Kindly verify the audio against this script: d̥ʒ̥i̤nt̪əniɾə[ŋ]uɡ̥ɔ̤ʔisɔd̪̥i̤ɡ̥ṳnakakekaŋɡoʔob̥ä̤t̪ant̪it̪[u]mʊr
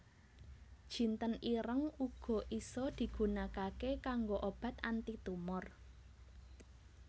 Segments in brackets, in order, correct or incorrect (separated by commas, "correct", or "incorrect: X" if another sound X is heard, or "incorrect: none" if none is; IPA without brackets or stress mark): correct, correct